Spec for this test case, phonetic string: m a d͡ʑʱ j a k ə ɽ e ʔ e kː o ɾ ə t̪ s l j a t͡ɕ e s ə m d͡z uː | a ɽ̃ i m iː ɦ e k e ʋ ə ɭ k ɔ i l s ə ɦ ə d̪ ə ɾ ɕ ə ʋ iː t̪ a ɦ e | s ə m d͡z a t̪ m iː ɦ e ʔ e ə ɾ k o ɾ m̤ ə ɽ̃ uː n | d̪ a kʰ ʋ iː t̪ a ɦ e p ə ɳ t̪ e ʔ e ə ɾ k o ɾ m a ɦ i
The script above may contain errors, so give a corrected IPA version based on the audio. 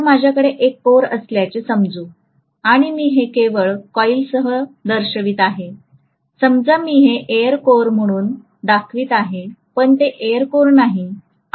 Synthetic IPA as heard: m a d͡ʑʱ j a k ə ɽ e ʔ e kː o ɾ ə s l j a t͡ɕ e s ə m d͡z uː | a ɽ̃ i m iː ɦ e k e ʋ ə ɭ k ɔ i l s ə ɦ ə d̪ ə ɾ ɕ ə ʋ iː t̪ a ɦ e | s ə m d͡z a m iː ɦ e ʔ e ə ɾ k o ɾ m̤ ə ɽ̃ uː n | d̪ a kʰ ʋ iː t̪ a ɦ e p ə ɳ t̪ e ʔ e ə ɾ k o ɾ n a ɦ i